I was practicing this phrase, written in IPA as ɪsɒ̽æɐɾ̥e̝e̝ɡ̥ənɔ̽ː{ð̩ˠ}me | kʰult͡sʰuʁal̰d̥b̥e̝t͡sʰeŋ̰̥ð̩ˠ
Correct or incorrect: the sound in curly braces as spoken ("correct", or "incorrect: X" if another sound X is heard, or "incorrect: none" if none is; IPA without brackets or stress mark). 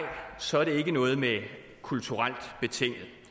correct